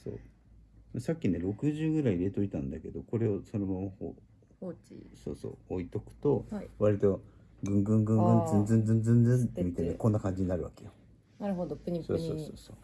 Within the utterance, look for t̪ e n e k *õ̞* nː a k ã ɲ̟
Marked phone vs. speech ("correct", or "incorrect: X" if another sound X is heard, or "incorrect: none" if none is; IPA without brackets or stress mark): incorrect: o̞